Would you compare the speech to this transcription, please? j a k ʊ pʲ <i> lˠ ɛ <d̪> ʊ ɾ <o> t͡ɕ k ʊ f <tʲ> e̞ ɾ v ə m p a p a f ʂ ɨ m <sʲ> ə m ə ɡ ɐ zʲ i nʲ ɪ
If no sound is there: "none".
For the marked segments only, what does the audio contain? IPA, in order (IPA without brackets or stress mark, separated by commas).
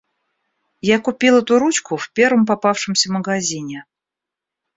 i, t̪, u, pʲ, sʲ